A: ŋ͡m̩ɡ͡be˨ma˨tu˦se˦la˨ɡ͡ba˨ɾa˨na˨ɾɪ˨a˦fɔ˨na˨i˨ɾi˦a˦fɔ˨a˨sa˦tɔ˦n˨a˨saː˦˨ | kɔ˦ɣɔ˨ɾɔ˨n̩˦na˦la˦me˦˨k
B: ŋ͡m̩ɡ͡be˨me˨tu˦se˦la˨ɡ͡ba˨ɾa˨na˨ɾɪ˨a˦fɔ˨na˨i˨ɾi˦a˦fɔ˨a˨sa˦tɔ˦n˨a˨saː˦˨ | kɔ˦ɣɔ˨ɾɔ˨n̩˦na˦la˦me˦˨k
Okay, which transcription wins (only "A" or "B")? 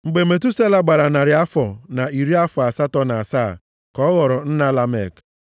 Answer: B